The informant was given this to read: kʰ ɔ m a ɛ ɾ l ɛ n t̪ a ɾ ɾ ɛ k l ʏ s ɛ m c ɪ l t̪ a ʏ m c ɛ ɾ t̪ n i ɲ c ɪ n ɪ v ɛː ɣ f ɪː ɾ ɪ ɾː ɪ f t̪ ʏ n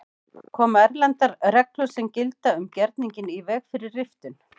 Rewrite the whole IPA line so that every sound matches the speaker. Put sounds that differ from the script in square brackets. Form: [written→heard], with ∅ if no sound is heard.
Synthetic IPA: kʰ [ɔ→ɔː] m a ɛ ɾ l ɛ n t̪ a ɾ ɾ ɛ k l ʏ s ɛ m c ɪ l t̪ a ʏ m c ɛ ɾ t̪ n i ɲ c ɪ n [ɪ→i] v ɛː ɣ f [ɪː→ɪ] ɾ ɪ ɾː ɪ f t̪ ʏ n